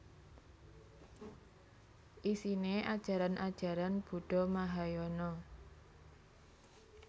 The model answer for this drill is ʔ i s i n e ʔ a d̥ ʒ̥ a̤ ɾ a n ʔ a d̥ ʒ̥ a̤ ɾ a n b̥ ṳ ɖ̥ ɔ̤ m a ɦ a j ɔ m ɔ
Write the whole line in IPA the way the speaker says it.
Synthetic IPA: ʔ i s i n e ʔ a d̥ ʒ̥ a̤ ɾ a n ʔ a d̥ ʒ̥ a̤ ɾ a n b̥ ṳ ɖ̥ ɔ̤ m a ɦ a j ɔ n ɔ